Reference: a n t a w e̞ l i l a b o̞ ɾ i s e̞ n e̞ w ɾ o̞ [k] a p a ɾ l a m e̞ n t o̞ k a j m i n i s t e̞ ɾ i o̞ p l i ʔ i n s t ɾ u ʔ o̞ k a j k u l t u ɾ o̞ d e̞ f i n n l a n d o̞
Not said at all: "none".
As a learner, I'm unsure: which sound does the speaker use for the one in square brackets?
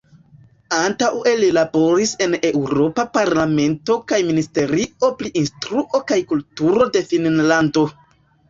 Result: p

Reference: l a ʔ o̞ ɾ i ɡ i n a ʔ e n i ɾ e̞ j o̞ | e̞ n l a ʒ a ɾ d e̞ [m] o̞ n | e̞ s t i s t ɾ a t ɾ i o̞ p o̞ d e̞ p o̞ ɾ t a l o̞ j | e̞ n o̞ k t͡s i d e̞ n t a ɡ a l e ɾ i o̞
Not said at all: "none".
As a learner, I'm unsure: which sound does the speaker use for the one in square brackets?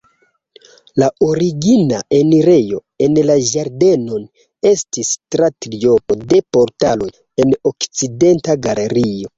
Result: n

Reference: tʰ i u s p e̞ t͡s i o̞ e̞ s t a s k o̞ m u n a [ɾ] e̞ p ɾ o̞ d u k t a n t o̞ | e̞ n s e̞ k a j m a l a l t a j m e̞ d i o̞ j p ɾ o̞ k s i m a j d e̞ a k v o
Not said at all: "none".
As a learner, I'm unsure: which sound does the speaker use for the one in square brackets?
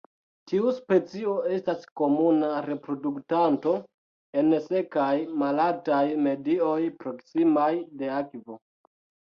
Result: ɾ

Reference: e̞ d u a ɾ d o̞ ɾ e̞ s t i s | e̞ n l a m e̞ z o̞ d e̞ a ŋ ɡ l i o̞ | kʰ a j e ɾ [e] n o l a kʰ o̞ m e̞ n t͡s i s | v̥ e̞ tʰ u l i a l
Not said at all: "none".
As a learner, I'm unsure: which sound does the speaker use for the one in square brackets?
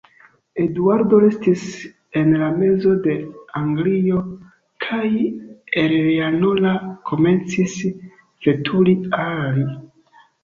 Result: a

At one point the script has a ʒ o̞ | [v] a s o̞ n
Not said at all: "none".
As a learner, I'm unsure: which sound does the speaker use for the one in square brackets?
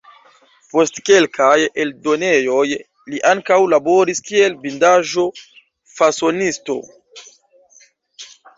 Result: f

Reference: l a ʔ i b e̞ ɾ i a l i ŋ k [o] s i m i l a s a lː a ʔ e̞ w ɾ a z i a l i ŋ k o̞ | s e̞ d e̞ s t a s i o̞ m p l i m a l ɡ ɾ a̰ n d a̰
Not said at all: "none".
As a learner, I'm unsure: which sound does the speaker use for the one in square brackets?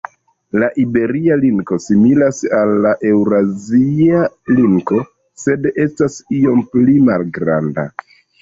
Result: o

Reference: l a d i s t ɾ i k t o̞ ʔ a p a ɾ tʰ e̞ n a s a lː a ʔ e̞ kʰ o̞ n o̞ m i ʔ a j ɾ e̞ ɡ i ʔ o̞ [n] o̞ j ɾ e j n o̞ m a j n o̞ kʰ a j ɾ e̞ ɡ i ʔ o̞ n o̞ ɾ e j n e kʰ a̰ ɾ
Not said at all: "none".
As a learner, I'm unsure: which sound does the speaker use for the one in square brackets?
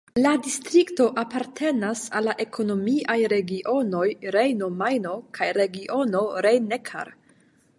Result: n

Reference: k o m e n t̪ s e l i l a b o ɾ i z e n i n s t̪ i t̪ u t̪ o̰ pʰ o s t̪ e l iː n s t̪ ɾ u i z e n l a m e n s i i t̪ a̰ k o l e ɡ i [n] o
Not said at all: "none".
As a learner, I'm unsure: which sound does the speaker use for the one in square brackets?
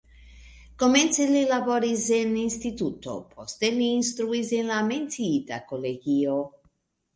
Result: none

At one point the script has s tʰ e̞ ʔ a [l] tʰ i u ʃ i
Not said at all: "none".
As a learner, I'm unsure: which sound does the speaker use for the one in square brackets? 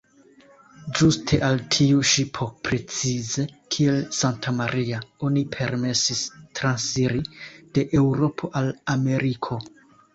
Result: l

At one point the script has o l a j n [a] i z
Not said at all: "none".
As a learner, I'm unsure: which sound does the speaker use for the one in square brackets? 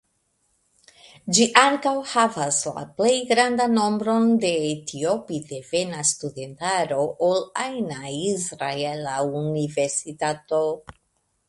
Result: a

